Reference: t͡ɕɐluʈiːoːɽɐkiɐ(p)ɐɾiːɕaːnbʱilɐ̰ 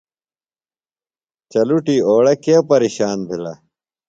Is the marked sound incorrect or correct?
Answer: correct